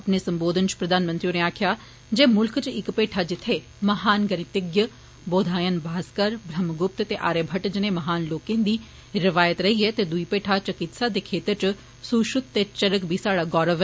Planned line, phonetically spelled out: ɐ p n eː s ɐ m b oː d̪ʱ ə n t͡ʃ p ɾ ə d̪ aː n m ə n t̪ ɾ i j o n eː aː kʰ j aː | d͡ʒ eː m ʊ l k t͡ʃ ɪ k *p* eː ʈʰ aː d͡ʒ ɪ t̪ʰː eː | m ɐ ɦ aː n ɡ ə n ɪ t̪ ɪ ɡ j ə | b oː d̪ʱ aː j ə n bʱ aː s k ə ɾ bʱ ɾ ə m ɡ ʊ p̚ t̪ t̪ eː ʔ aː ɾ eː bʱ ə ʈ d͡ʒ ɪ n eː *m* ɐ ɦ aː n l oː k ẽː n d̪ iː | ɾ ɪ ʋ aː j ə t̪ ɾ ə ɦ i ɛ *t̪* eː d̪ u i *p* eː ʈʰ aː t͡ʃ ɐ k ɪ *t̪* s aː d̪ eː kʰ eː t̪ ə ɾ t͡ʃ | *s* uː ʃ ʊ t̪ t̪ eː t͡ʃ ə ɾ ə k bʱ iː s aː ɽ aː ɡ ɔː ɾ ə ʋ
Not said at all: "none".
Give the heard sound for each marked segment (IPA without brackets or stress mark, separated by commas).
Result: p, m, t̪, p, t̪, s